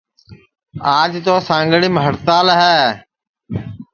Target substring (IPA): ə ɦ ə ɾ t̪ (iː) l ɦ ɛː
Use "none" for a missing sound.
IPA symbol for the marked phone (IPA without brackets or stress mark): aː